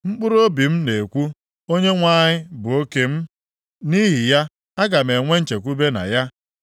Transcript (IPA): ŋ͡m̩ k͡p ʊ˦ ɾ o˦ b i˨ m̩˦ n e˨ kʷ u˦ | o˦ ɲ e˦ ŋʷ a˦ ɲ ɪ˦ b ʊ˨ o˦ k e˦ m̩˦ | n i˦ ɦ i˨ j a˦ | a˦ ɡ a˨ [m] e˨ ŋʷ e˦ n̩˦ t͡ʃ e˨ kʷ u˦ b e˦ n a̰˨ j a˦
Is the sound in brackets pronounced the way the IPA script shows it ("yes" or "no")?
yes